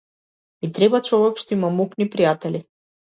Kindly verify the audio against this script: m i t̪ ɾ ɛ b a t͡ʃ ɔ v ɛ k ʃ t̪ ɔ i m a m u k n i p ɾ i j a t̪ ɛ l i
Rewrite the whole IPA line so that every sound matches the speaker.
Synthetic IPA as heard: m i t̪ ɾ ɛ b a t͡ʃ ɔ v ɛ k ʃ t̪ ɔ i m a m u k n i p ɾ i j a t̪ ɛ l i